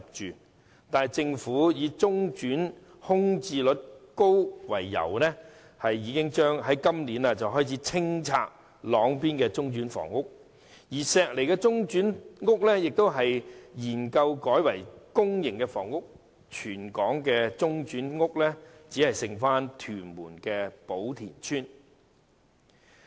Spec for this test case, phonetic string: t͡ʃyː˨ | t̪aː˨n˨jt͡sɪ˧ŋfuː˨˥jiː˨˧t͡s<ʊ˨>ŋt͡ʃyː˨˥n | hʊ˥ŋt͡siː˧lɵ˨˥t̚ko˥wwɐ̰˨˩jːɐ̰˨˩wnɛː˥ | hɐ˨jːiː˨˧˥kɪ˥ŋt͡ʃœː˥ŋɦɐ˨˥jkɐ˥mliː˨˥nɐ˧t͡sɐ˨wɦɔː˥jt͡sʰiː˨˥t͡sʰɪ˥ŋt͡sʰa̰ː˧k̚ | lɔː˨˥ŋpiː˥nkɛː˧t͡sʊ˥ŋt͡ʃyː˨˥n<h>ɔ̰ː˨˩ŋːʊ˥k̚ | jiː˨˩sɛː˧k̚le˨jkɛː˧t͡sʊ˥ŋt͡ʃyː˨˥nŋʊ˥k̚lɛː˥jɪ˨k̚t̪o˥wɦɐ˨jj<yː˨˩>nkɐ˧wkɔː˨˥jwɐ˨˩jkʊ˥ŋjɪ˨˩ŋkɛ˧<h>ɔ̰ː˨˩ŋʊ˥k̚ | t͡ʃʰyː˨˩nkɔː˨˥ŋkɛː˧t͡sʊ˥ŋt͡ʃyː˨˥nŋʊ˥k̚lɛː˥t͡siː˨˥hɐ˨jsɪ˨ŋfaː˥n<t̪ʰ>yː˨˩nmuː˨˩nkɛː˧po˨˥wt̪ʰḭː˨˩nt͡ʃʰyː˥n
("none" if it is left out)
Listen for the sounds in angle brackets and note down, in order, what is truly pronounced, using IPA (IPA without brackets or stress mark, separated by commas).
ʊ˥, f, iː˨˩, f, t̪ʰ